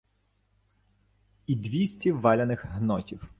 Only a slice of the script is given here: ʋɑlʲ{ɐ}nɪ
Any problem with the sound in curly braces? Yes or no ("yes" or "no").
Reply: no